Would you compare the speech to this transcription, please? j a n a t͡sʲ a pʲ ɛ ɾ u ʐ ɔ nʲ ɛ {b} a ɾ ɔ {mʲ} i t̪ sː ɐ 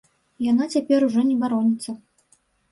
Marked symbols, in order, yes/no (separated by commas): yes, no